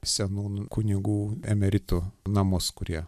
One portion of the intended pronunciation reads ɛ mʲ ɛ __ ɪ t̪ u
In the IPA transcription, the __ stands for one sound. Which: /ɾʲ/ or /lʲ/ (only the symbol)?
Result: ɾʲ